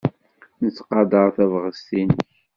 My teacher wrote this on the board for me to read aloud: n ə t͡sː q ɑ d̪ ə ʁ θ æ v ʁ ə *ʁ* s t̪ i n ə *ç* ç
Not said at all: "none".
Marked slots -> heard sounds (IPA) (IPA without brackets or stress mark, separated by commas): none, ç